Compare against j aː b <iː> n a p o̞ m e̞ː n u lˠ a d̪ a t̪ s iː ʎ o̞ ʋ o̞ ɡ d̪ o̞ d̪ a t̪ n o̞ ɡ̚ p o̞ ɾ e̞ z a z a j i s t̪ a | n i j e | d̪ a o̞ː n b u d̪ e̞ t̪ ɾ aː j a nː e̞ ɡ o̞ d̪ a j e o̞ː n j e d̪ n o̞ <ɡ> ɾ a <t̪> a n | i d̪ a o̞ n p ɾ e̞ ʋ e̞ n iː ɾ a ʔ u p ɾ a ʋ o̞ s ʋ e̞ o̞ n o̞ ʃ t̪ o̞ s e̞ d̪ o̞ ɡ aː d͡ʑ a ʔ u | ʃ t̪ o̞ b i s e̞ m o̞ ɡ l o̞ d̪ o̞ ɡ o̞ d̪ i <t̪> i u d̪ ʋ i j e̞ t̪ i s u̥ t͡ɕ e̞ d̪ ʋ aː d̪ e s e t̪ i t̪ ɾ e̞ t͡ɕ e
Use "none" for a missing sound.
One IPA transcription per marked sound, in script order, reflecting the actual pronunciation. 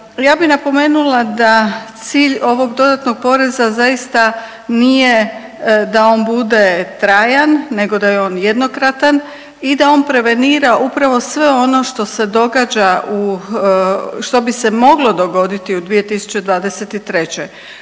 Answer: i, k, t̪, t̪

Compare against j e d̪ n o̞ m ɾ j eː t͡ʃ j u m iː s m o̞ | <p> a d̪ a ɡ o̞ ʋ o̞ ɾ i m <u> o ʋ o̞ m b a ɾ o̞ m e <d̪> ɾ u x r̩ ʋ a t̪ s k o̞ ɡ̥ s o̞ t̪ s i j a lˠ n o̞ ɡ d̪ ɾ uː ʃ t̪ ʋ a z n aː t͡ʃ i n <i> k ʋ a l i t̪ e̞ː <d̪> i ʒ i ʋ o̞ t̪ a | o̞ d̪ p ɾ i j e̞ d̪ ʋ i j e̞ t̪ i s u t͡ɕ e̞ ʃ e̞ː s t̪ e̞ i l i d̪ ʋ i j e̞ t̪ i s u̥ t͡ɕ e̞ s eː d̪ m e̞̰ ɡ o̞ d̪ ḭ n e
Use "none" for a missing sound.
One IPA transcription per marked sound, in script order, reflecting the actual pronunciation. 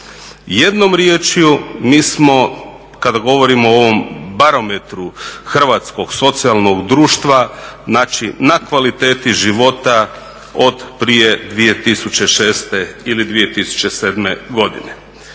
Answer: k, o, t̪, a, t̪

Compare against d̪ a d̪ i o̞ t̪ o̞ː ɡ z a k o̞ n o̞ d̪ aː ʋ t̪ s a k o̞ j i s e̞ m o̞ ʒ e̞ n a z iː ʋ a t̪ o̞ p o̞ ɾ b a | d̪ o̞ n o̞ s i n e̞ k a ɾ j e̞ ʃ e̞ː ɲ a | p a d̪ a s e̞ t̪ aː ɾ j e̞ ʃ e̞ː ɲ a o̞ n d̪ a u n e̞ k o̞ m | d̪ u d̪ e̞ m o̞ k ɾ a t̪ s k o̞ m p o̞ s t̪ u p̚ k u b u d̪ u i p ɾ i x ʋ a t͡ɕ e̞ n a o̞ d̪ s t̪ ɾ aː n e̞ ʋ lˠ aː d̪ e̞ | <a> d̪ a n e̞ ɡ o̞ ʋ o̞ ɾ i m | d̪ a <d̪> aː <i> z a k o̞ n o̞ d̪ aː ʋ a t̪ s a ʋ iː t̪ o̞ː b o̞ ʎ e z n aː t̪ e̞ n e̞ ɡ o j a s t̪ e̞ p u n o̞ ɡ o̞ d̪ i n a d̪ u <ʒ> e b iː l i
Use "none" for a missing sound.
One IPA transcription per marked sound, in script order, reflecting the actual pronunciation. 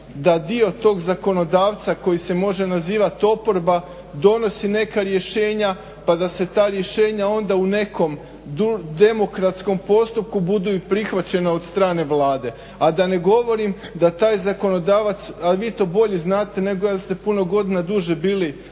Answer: a, t̪, j, ʒ

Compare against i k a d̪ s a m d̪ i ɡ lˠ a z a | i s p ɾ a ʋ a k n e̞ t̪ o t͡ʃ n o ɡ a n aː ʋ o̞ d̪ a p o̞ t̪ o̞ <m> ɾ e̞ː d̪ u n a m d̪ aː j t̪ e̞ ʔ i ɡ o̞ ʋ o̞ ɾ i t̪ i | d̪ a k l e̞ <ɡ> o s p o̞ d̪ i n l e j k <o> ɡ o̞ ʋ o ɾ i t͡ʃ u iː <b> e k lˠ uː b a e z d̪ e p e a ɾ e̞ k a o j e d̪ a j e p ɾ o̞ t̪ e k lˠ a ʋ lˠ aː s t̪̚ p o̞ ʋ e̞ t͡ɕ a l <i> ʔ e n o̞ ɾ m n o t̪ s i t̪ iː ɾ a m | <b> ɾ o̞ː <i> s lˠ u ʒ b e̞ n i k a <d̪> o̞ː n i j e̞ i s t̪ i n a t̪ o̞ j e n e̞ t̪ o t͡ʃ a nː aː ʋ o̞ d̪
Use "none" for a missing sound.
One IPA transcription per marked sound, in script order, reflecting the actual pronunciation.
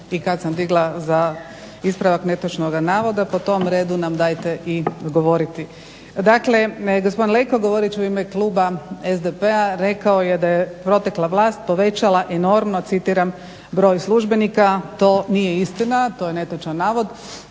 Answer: m, ɡ, o, m, a, b, j, t̪

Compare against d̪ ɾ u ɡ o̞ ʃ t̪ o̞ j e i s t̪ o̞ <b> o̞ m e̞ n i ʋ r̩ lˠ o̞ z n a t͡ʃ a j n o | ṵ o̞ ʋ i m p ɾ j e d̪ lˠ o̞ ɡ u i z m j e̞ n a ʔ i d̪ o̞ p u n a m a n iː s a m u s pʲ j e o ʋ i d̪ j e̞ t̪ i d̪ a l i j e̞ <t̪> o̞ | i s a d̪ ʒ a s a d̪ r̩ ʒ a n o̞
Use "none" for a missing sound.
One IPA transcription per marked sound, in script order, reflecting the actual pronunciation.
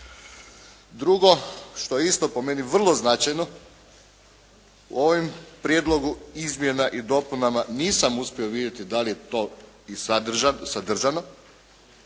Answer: p, t̪

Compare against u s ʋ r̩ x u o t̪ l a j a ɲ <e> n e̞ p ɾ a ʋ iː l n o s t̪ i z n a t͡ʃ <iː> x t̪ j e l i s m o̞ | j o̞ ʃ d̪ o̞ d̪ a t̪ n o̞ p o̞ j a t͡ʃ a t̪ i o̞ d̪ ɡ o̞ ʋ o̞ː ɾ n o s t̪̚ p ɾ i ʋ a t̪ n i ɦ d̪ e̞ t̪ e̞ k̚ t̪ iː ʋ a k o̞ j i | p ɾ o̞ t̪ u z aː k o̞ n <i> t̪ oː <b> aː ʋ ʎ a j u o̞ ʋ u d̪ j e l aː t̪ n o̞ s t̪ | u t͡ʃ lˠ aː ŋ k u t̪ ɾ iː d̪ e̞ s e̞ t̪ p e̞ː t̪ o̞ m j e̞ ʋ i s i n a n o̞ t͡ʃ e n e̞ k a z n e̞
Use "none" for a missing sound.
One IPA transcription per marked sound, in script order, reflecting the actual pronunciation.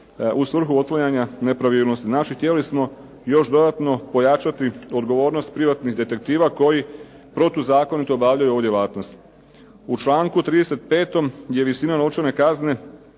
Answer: a, i, i, b

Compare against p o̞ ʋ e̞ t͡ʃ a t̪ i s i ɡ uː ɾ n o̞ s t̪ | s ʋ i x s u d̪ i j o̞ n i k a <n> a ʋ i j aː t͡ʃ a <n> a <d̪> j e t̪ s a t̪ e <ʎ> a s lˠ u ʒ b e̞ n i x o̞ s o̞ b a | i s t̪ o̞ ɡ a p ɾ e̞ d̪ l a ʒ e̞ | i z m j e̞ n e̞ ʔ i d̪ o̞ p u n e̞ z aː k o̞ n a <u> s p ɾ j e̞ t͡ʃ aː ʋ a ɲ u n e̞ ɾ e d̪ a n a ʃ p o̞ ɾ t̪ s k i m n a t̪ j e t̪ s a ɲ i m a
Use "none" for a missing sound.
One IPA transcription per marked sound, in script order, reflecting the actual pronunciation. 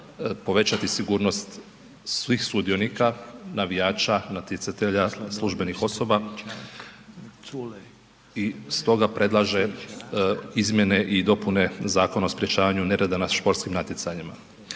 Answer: n, n, t̪, ʎ, o

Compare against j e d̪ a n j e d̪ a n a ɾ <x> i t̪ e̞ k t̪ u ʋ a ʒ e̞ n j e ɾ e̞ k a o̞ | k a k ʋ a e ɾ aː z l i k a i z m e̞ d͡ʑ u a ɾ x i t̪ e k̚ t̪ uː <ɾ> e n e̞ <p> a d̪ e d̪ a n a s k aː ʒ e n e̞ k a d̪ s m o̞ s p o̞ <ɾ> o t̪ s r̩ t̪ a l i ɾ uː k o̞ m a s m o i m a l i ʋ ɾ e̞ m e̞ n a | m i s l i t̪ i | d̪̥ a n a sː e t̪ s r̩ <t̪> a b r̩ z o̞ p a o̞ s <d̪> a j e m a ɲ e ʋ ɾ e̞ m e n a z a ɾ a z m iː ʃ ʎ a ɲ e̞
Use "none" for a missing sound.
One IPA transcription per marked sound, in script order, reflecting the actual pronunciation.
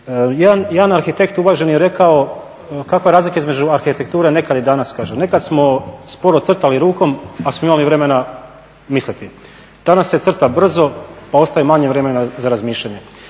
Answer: x, ɾ, k, ɾ, t̪, t̪

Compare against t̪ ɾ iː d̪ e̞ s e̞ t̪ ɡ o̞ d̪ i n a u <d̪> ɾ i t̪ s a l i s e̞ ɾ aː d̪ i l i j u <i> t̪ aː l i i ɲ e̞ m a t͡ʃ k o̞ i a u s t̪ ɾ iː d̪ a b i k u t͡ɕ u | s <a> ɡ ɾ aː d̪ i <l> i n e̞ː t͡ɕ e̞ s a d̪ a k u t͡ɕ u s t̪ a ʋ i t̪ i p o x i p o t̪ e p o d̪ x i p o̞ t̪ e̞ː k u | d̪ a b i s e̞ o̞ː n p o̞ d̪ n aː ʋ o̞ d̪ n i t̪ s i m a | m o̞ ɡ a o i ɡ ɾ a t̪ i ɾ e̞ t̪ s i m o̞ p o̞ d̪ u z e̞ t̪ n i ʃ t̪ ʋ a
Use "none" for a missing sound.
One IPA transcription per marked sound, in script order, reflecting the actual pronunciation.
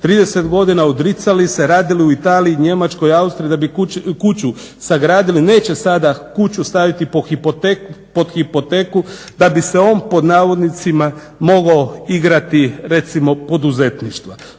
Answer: d̪, i, a, l

